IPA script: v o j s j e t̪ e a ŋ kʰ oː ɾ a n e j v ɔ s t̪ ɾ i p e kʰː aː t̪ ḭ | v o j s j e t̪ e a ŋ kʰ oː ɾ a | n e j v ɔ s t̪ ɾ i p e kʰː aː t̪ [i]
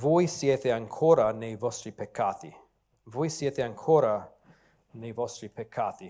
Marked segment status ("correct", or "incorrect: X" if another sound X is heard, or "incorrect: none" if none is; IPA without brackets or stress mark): correct